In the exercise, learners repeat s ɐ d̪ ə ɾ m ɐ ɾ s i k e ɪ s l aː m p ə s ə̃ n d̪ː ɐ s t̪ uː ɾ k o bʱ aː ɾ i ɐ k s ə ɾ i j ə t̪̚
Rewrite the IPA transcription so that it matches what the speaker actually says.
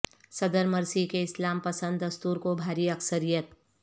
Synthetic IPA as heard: s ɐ d̪ ə ɾ m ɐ ɾ s i k e ɪ s l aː m p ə s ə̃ n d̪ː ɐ s t̪ uː ɾ k o bʱ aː ɾ i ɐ k s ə ɾ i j ə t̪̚